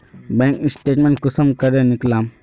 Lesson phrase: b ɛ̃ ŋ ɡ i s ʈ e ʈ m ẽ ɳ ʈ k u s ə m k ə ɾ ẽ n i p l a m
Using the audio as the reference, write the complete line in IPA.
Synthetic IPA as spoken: b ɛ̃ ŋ k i s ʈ e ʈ m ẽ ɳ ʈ k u s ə m k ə ɾ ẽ n i k l a m